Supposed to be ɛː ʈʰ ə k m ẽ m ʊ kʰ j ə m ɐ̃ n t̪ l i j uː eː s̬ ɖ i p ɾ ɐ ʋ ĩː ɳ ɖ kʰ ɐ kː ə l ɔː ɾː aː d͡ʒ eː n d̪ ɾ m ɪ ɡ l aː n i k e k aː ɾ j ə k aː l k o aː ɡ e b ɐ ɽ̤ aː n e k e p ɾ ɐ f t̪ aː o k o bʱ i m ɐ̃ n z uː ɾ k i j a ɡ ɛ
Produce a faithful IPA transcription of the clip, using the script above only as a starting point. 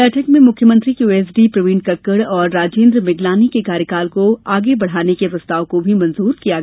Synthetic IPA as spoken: ɛː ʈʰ ə k m ẽ m ʊ kʰ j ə m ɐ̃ n t̪ ɾ i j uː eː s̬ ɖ i p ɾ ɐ ʋ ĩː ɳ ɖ k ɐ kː ə ɽ ɔː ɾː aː d͡ʒ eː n d̪ ɾ m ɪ ɡ l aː n i k e k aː ɾ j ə k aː l k o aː ɡ e b ɐ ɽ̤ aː n e k e p ɾ ɐ s t̪ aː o k o bʱ i m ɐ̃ n z uː ɾ k i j a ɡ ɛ

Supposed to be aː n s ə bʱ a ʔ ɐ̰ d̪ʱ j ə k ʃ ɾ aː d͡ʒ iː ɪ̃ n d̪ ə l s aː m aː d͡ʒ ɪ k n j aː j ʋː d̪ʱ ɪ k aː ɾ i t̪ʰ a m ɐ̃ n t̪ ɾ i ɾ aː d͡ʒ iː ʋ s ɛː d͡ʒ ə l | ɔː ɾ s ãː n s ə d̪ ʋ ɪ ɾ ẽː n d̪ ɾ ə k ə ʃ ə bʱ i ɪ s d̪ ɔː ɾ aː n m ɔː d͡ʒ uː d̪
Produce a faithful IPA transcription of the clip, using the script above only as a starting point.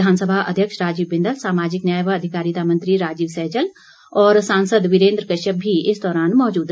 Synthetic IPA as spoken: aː n s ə bʱ a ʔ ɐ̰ d̪ʱ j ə k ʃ ɾ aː d͡ʒ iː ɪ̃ n d̪ ə l s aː m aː d͡ʒ ɪ k n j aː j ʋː d̪ʱ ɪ k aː ɾ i t̪ a m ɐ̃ n t̪ ɾ i ɾ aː d͡ʒ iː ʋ s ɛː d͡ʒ ə l | ɔː ɾ s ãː n s ə d̪ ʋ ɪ ɾ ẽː n d̪ ɾ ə k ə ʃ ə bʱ i ɪ s d̪ ɔː ɾ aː n m ɔː d͡ʒ uː d̪

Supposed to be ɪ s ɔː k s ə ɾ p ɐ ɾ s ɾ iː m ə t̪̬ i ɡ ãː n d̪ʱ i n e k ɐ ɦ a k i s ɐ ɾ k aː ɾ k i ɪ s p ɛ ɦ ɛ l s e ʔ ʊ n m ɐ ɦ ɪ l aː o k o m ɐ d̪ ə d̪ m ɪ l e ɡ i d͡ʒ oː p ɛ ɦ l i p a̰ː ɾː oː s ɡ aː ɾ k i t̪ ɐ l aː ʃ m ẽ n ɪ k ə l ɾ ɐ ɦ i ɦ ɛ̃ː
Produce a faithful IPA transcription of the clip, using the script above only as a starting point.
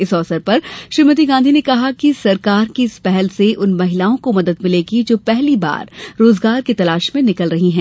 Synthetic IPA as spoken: ɪ s ɔː s ə ɾ p ɐ ɾ ʃ ɾ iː m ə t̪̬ i ɡ ãː n d̪ʱ i n e k ɐ ɦ a k i s ɐ ɾ k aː ɾ k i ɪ s p ɛ ɦ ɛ l s e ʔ ʊ n m ɐ ɦ ɪ l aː õ k o m ɐ d̪ ə d̪ m ɪ l e ɡ i d͡ʒ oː p ɛ ɦ l i b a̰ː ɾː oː z ɡ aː ɾ k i t̪ ɐ l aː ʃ m ẽ n ɪ k ə l ɾ ɐ ɦ i ɦ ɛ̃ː

